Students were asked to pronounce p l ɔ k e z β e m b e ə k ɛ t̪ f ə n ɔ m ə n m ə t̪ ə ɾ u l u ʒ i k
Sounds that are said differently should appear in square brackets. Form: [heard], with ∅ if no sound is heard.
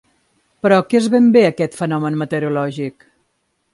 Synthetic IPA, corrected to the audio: p [ɾ] ɔ k e z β e m b e ə k ɛ t̪ f ə n ɔ m ə n m ə t̪ ə ɾ u l [ɔ] ʒ i k